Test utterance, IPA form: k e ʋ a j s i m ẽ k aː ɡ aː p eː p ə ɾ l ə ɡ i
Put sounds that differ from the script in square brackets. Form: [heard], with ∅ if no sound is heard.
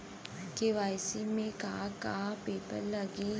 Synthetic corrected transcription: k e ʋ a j s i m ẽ k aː [k] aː p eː p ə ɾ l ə ɡ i